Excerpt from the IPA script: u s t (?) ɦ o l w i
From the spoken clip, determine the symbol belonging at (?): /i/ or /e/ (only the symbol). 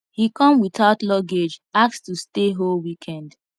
e